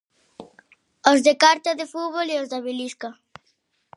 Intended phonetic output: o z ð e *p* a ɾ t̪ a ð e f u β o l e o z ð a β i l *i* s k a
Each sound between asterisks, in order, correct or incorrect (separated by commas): incorrect, correct